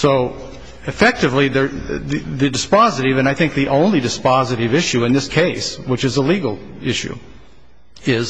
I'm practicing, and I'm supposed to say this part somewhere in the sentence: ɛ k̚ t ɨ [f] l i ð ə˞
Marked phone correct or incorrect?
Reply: incorrect